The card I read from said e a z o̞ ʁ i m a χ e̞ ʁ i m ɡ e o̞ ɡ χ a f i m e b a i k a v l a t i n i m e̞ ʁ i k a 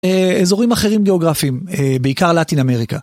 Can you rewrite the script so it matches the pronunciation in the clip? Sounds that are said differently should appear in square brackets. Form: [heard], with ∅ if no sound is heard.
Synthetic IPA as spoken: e [e] z o̞ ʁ i m a χ e̞ ʁ i m ɡ e o̞ ɡ [ʁ] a f i m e b [e] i k a [ʁ] l a t i n [a] m e̞ ʁ i k a